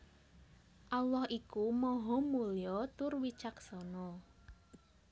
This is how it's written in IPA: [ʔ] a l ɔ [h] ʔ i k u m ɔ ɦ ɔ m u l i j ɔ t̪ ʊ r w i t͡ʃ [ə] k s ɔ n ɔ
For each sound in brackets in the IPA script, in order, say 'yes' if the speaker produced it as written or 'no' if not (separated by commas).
yes, yes, no